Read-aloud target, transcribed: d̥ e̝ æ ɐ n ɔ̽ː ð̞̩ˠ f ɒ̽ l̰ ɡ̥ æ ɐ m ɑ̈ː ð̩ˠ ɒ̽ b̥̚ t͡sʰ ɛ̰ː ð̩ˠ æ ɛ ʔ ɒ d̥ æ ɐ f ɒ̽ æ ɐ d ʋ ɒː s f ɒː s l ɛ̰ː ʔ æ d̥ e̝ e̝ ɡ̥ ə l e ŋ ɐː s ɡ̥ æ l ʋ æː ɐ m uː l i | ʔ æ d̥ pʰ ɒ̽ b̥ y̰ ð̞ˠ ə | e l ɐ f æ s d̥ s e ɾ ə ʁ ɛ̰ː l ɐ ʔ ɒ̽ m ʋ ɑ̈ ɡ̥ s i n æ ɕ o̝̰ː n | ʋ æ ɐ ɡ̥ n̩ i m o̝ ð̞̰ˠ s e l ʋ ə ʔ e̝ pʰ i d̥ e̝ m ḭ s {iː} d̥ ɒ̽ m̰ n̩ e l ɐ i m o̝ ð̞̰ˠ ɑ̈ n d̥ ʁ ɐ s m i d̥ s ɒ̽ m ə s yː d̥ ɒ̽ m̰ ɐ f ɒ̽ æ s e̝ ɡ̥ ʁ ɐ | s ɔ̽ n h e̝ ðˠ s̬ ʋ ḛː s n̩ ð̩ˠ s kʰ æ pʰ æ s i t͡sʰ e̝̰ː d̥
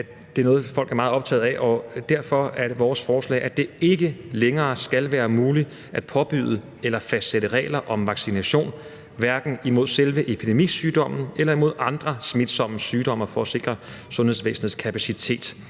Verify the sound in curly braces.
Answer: incorrect: yː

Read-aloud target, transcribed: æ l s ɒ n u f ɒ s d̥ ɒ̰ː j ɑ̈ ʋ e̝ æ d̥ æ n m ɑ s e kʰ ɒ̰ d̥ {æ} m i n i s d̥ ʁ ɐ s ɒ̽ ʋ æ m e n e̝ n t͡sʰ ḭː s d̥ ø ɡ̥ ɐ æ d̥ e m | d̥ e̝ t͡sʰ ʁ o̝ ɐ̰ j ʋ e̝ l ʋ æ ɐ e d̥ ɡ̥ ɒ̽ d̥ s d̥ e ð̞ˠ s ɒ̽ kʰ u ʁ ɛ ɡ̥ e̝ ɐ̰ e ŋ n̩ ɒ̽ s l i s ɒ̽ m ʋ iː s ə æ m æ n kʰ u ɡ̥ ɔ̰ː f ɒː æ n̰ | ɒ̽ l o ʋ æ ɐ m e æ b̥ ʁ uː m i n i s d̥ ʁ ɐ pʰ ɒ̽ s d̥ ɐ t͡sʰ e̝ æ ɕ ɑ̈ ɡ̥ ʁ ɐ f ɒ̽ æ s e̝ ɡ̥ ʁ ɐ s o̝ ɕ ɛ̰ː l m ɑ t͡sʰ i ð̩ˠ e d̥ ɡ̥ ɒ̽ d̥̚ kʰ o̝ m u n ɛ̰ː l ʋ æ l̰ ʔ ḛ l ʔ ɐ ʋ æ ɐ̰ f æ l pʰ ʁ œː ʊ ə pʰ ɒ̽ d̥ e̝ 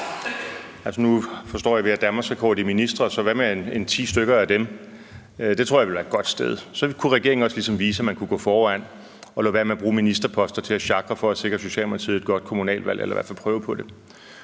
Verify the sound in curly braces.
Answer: incorrect: i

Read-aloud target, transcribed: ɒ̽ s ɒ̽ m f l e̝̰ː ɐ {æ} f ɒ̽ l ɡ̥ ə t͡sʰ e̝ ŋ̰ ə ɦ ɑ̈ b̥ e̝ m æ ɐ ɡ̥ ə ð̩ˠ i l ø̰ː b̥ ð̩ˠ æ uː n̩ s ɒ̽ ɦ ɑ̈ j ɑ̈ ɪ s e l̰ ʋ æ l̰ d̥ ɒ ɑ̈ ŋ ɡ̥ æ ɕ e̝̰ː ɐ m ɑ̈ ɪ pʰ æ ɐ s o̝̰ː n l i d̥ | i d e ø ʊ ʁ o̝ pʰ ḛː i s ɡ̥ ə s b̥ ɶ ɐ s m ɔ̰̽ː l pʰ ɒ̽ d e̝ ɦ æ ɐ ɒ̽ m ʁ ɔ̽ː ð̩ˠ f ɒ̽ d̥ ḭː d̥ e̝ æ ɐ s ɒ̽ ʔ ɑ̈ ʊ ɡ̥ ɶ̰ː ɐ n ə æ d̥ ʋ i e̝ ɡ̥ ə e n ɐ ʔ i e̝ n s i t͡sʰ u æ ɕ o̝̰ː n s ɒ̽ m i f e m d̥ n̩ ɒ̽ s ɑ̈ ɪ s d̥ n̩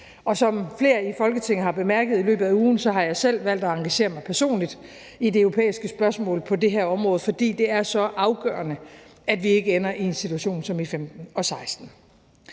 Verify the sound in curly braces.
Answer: incorrect: i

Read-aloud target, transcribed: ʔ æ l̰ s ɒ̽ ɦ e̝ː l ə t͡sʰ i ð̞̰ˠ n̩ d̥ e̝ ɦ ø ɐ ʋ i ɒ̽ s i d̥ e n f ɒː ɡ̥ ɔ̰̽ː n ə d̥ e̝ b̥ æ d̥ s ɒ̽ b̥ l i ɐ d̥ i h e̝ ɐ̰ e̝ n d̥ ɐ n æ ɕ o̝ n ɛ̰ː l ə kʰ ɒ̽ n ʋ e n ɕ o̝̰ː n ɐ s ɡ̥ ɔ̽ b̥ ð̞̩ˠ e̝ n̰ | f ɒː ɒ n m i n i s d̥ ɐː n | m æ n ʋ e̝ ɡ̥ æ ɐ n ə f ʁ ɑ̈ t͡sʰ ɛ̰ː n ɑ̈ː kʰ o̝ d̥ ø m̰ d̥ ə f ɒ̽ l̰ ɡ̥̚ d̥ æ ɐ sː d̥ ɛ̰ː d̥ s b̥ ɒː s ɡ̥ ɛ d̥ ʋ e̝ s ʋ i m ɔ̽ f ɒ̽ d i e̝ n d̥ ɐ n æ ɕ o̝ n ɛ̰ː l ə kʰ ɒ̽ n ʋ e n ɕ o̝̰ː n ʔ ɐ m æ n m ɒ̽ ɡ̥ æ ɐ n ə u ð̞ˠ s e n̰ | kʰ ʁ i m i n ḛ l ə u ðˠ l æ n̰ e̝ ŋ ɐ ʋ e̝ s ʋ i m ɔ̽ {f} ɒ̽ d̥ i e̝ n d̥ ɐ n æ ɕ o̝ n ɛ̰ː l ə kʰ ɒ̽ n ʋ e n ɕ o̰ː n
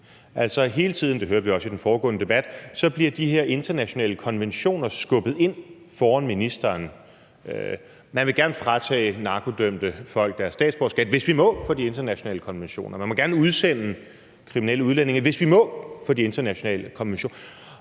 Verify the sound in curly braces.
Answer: correct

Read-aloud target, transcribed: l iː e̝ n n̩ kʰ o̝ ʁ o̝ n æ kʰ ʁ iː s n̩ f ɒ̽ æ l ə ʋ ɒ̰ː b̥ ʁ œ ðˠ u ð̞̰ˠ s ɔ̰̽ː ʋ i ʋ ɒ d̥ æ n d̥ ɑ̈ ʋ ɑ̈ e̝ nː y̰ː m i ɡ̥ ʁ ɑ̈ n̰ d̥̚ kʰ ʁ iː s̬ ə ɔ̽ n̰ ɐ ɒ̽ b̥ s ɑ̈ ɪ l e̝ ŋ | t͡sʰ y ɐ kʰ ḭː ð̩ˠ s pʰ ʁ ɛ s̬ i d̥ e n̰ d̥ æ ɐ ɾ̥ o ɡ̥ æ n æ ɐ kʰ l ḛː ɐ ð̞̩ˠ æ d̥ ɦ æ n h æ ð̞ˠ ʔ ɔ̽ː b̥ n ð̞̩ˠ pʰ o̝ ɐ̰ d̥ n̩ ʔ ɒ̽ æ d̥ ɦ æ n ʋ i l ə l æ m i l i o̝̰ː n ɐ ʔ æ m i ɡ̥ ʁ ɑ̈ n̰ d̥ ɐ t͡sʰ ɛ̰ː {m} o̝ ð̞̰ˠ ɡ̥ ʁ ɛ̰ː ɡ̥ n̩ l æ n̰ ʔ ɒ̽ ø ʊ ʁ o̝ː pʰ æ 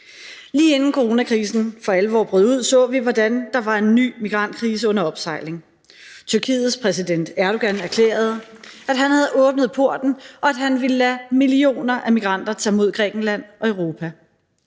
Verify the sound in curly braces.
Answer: correct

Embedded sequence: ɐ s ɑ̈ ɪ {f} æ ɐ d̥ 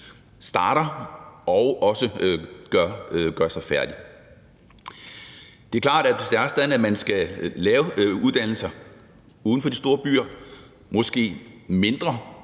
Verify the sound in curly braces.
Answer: correct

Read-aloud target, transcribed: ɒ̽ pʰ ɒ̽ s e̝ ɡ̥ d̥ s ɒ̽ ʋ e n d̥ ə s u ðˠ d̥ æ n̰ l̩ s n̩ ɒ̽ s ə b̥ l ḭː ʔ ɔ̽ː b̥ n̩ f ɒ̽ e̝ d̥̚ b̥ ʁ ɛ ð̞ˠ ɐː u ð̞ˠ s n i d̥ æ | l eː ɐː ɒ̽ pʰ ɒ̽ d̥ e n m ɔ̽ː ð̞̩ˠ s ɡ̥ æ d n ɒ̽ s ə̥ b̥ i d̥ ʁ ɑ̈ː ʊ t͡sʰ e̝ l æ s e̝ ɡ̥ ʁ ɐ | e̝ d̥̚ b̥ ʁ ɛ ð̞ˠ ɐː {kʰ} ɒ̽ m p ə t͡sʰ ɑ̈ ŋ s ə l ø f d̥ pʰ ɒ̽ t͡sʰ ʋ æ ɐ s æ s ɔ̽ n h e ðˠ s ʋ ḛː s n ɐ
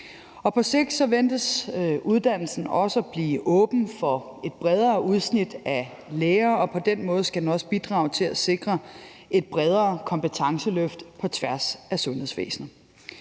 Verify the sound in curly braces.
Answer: correct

